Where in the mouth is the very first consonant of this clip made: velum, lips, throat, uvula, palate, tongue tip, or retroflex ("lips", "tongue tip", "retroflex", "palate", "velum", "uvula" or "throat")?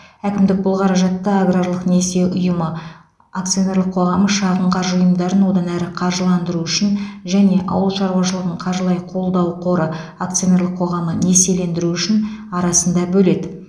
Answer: velum